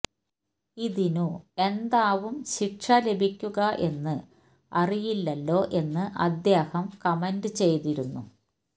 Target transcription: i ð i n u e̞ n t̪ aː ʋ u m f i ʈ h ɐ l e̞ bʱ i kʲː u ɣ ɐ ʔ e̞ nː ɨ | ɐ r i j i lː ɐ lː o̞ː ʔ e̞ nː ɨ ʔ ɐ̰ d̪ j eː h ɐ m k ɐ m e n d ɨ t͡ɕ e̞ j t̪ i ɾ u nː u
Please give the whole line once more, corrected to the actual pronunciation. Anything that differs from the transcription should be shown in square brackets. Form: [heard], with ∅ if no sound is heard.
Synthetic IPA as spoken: i ð i n u e̞ n [d̪] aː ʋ u m [ɕ] i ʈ [ʂ] ɐ l e̞ bʱ i kʲː u ɣ ɐ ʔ e̞ nː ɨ | ɐ r i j i lː ɐ lː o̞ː ʔ e̞ nː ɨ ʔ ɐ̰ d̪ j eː h ɐ m k ɐ m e n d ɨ t͡ɕ e̞ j t̪ i ɾ u nː u